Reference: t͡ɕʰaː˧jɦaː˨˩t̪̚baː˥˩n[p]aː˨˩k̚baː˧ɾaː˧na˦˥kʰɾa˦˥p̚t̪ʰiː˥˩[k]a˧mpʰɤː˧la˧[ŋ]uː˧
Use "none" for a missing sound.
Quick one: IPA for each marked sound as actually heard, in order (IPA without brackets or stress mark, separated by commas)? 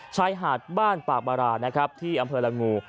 p, ʔ, ŋ